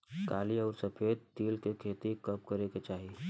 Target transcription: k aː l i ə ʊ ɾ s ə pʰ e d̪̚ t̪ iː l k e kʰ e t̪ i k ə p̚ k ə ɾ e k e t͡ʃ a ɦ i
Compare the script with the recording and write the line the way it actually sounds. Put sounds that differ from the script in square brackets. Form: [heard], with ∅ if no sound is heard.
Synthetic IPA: k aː l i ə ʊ ɾ s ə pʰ e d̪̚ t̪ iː l k e kʰ e t̪ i k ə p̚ k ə ɾ e k e t͡ʃ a ɦ i